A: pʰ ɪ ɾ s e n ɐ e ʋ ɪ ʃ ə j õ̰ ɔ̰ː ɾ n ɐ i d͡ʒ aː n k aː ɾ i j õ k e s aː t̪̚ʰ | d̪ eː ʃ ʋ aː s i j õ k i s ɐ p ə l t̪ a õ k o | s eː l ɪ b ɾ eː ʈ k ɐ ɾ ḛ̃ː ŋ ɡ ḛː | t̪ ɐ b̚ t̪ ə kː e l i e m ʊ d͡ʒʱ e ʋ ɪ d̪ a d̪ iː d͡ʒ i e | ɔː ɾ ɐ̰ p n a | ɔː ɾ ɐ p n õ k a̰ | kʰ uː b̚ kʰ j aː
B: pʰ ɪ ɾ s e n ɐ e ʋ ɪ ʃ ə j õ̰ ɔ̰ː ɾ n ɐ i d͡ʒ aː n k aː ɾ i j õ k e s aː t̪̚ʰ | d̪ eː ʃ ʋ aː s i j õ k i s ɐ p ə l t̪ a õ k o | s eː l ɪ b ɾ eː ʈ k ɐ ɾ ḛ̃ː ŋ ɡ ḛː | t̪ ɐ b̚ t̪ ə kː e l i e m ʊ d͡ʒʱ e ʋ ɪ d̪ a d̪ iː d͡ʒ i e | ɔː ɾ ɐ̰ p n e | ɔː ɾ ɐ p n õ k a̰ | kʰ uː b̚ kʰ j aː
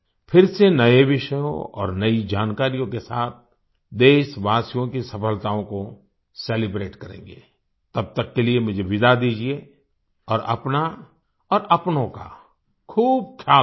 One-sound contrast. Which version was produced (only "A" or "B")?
A